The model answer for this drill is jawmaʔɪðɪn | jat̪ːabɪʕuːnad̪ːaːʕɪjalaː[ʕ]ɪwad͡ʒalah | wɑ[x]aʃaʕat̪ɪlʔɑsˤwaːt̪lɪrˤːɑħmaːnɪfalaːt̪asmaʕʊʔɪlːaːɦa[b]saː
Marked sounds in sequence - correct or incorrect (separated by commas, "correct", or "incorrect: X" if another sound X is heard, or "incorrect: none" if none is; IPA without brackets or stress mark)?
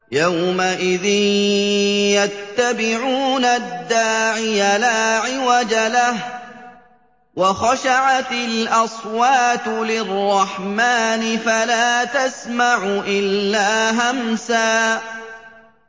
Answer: correct, correct, incorrect: m